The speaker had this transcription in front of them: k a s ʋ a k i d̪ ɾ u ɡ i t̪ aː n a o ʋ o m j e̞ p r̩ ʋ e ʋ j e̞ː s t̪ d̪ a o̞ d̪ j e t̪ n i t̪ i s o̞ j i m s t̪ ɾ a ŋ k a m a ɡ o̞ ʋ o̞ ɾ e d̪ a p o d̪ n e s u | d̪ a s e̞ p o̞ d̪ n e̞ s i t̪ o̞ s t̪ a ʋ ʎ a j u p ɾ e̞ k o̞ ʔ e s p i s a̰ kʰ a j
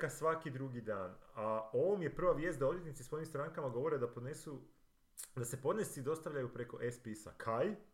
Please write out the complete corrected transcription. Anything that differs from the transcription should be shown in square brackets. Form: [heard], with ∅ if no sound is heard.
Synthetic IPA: k a s ʋ a k i d̪ ɾ u ɡ i [d̪] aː n a o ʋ o m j e̞ p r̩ ʋ [a] ʋ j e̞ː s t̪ d̪ a o̞ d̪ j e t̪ n i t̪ i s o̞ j i m s t̪ ɾ a ŋ k a m a ɡ o̞ ʋ o̞ ɾ e d̪ a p o d̪ n e s u | d̪ a s e̞ p o̞ d̪ n e̞ s i [d̪] o̞ s t̪ a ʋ ʎ a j u p ɾ e̞ k o̞ ʔ e s p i s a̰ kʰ a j